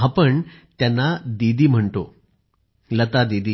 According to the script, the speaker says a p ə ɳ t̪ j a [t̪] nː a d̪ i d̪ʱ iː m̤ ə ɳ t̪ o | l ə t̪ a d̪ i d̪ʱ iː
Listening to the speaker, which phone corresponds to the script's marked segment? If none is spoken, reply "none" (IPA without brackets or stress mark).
none